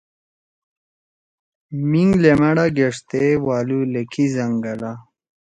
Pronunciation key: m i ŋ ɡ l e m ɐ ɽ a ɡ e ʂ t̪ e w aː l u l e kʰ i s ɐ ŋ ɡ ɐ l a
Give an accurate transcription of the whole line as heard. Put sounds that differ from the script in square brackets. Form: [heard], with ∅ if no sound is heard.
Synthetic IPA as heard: m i ŋ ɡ l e m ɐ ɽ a ɡ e ʂ t̪ e w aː l u l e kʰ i [z] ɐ ŋ ɡ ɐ l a